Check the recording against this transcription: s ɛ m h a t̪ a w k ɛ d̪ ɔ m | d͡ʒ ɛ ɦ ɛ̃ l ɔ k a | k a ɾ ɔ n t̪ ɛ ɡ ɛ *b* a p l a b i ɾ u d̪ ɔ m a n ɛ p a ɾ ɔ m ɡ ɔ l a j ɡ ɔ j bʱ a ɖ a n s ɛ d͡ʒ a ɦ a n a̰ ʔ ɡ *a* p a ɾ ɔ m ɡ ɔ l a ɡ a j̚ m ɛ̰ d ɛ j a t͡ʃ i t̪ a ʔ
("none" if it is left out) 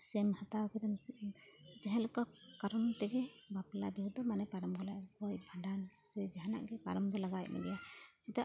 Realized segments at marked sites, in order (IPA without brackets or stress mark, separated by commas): b, ɛ